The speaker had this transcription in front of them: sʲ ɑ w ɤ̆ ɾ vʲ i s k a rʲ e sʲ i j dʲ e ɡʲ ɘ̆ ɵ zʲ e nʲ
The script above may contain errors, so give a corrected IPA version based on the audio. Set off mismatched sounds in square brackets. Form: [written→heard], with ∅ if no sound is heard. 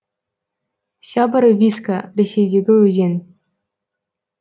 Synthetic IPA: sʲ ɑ [w→b] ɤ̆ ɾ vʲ i s k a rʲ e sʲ [i→e] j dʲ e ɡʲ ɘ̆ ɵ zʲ e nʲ